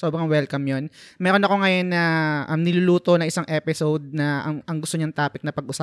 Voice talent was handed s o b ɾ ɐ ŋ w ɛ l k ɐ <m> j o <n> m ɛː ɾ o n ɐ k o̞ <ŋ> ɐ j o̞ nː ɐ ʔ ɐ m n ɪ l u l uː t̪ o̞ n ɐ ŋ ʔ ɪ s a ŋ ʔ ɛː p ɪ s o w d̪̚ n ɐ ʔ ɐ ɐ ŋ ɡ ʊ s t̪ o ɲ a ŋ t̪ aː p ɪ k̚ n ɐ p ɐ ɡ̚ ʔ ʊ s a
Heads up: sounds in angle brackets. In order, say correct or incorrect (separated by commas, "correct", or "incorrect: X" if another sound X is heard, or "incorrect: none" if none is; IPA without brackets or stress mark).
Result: correct, correct, correct